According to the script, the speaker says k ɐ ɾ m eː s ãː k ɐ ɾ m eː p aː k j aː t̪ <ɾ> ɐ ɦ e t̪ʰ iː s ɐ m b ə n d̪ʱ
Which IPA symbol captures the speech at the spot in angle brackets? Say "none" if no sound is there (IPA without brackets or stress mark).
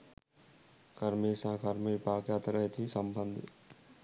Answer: ɾ